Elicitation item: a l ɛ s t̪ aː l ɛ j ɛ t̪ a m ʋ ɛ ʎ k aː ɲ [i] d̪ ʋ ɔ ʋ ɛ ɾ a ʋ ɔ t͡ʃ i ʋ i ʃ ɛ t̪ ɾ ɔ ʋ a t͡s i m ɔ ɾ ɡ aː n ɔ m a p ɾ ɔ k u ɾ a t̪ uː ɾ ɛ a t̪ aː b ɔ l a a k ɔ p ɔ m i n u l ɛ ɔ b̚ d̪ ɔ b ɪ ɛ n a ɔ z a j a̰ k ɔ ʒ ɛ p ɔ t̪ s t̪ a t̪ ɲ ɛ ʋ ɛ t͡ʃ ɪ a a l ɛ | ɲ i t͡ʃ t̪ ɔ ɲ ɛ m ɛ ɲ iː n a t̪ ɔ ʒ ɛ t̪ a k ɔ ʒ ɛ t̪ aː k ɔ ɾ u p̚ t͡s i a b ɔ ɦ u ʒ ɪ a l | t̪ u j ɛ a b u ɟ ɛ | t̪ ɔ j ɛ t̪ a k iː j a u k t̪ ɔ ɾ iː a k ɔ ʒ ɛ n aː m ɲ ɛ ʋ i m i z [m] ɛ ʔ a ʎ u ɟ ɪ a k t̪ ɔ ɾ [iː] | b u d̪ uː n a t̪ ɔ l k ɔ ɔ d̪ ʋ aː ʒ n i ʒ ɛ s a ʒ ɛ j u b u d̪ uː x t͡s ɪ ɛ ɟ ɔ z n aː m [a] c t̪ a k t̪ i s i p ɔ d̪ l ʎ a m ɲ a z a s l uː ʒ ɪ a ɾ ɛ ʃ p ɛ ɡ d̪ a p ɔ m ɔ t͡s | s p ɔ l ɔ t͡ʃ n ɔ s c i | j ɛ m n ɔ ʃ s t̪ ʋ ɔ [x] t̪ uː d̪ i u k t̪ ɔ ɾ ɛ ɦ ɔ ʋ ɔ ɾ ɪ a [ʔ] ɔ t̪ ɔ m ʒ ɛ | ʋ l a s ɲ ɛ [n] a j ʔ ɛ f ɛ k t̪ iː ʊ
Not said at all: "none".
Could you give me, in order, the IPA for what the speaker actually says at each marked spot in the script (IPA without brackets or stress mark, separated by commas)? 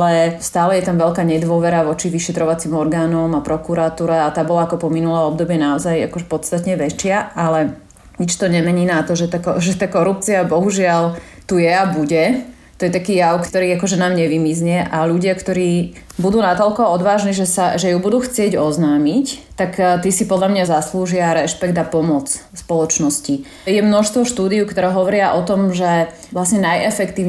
ɛ, ɲ, iː, i, ʃ, ʔ, n